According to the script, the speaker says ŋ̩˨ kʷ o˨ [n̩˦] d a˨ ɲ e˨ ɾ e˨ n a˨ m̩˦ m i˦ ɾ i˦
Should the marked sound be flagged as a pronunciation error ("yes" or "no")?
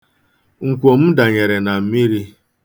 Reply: yes